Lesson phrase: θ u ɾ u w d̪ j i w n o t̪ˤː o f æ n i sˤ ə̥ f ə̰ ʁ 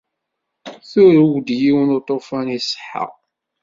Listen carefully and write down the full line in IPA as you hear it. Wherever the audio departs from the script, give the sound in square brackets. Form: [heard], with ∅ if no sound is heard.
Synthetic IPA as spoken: θ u ɾ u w d̪ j i w n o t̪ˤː o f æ n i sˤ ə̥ [ħ] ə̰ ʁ